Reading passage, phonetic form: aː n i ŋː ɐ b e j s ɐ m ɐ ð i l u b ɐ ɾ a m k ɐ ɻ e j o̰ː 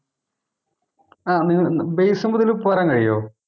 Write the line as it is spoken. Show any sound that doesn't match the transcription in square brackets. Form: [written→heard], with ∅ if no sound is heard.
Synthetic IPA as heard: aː n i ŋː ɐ b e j s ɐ m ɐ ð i l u [b→p] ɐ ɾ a [m→ŋ] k ɐ ɻ [e→i] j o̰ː